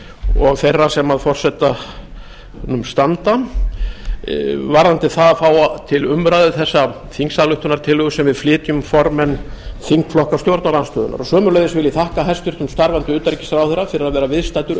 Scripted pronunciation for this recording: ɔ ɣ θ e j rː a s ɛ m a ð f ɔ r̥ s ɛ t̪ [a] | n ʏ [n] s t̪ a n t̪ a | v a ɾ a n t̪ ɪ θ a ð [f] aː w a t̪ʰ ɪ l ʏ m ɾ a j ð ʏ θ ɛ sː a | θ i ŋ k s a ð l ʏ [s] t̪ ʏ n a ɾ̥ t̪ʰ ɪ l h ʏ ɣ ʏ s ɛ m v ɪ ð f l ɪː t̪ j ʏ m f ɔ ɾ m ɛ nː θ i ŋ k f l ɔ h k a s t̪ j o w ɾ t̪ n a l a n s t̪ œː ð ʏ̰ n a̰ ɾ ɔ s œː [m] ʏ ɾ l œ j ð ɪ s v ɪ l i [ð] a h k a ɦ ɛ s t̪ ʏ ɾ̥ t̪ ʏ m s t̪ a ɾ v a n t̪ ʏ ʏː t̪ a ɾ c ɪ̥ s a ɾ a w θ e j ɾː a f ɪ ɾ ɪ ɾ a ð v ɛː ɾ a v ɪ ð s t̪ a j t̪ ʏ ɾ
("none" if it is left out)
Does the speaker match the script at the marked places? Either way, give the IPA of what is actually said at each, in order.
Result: a, m, f, h, m, θ

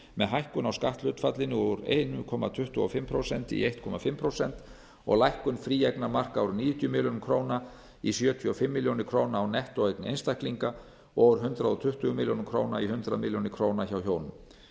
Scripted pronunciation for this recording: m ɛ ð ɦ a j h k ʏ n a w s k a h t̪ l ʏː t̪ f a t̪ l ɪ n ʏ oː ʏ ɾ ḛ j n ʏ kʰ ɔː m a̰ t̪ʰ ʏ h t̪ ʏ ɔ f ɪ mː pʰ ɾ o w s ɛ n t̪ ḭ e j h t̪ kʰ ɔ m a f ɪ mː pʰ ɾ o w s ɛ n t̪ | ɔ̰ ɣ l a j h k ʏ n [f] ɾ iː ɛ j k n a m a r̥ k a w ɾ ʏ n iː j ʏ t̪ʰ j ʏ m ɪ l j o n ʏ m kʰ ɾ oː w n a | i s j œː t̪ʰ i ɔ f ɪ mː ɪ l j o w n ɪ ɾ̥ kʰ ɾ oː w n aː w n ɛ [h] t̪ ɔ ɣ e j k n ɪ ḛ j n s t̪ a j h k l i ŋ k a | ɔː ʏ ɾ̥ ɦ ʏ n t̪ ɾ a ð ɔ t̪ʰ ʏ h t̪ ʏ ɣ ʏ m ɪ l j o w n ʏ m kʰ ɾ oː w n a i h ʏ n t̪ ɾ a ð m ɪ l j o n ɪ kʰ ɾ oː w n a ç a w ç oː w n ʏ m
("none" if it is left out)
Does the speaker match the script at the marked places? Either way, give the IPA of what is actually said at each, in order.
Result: f, h

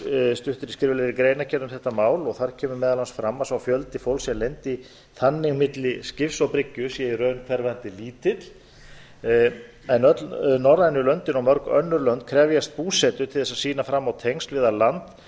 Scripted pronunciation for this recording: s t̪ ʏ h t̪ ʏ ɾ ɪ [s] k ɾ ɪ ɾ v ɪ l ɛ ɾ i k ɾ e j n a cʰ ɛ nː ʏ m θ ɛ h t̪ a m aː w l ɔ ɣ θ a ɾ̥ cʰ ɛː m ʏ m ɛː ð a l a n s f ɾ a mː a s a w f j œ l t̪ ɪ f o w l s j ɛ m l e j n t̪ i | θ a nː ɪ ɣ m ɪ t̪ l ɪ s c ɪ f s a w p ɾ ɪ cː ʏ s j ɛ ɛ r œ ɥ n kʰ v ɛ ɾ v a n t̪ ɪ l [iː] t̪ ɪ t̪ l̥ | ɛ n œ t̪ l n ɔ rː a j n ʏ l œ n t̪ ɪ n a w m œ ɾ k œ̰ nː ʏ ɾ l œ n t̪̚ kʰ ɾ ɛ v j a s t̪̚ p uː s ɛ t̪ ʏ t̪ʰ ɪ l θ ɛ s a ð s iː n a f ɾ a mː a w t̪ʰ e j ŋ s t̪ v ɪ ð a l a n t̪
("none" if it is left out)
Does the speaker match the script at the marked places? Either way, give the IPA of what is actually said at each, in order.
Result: s, iː

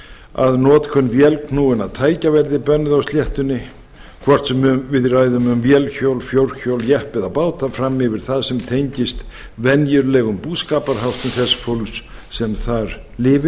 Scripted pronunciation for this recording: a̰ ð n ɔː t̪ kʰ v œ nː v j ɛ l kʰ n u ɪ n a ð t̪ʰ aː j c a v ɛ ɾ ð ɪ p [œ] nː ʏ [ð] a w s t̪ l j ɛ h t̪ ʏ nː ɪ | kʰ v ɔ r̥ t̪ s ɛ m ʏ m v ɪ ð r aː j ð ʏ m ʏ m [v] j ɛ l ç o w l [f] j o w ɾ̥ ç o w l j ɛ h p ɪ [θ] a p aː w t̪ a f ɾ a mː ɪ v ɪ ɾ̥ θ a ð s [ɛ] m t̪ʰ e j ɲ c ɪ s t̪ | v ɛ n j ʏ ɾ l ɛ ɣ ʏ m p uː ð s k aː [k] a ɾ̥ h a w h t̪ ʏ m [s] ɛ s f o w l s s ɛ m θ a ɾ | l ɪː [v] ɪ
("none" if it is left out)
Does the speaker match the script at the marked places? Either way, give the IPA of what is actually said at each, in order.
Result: œ, ð, v, f, ð, ɛ, p, θ, v

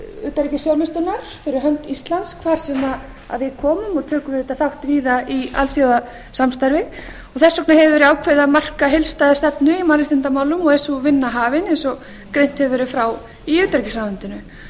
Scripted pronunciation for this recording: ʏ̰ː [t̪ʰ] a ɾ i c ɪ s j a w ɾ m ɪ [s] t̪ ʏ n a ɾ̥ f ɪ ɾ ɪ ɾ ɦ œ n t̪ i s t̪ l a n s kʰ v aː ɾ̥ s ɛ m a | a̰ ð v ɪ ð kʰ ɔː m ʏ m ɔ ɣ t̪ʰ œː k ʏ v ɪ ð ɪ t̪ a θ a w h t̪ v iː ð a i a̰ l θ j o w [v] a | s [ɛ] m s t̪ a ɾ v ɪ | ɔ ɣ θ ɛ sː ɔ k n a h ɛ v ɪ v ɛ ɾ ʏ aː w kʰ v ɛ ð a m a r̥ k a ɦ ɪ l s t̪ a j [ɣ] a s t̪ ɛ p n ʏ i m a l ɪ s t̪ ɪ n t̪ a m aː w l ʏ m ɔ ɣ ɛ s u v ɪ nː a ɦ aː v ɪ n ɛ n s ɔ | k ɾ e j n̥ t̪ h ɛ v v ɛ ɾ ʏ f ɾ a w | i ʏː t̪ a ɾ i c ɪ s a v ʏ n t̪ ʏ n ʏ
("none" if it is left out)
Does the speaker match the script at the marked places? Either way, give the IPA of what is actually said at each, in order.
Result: t̪, s, ð, a, ð

